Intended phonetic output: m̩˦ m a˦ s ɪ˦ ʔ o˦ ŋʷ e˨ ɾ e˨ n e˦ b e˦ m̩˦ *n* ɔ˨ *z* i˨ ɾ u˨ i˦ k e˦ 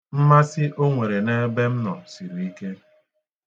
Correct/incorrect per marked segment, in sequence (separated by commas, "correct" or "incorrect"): correct, incorrect